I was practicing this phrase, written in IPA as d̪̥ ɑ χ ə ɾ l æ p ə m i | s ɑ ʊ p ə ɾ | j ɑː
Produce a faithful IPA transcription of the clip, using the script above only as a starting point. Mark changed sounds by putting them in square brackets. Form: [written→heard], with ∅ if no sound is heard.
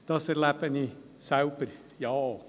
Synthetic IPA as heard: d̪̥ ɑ [χ→s] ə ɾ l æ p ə [m→n] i | s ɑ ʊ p ə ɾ | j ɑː